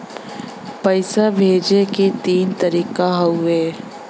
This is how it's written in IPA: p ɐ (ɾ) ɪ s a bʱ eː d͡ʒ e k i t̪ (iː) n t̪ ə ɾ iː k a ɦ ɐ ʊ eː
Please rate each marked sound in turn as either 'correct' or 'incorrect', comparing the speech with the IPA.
incorrect, correct

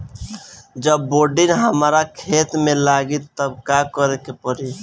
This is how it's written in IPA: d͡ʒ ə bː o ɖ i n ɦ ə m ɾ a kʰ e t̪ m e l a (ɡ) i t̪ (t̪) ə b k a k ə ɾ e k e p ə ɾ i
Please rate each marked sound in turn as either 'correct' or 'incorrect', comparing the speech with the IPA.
correct, correct

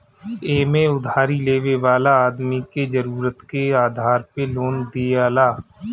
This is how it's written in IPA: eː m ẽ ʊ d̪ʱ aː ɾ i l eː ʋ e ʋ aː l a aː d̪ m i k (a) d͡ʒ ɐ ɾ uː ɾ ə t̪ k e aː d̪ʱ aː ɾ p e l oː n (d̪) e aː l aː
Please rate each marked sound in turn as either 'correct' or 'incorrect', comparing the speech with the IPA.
incorrect, correct

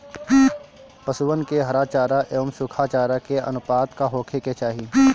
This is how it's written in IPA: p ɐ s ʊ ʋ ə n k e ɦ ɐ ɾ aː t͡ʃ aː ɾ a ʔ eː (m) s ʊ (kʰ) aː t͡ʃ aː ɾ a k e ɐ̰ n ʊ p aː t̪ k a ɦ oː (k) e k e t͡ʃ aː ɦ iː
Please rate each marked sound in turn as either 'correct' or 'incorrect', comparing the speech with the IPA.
correct, correct, incorrect

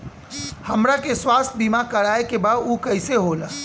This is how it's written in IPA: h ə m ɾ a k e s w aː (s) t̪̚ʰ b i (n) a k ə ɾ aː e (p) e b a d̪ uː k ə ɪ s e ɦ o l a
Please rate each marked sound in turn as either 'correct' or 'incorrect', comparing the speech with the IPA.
correct, incorrect, incorrect

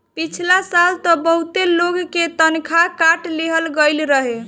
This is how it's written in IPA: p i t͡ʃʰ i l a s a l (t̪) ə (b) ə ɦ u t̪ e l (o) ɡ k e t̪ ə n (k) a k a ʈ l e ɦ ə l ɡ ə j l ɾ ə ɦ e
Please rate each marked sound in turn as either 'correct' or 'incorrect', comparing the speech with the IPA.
correct, correct, correct, incorrect

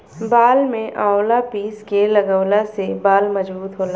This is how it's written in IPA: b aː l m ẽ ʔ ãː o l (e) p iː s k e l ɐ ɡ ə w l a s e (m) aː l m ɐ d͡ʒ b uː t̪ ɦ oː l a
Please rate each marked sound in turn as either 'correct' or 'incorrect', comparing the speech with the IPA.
incorrect, incorrect

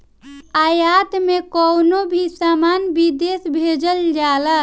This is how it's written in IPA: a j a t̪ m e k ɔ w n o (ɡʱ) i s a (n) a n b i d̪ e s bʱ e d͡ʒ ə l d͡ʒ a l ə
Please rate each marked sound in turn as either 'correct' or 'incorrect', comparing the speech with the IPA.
incorrect, incorrect

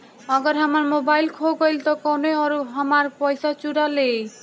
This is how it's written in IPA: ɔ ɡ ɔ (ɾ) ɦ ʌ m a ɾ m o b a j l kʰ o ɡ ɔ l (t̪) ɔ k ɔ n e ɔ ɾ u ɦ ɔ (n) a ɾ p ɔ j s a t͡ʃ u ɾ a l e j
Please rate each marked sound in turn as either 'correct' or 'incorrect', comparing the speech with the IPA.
correct, correct, incorrect

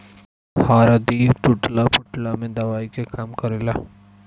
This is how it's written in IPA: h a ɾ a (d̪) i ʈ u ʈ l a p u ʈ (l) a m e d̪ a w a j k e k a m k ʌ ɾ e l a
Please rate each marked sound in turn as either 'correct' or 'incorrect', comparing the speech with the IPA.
correct, correct

